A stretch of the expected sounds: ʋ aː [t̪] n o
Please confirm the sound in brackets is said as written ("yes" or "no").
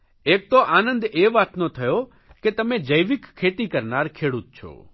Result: yes